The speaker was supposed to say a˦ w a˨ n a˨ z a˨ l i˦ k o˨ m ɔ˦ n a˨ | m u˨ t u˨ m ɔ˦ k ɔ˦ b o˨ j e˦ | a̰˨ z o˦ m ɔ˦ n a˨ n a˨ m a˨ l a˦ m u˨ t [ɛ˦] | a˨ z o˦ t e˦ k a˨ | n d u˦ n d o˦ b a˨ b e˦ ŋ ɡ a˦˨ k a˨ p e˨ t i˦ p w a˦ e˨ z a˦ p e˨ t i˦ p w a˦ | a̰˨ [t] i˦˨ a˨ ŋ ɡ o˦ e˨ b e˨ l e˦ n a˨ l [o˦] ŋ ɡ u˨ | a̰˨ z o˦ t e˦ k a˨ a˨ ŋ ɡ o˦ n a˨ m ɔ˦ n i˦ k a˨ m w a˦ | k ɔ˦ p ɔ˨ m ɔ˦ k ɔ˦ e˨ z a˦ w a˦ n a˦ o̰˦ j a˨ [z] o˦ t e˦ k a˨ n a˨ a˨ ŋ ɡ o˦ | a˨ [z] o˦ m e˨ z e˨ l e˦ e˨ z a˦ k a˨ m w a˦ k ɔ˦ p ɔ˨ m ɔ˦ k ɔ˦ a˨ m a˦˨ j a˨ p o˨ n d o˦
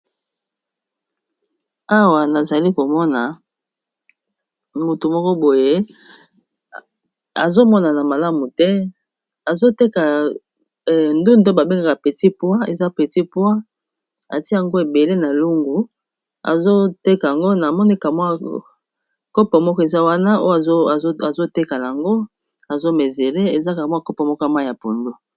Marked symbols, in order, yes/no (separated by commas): yes, yes, no, yes, yes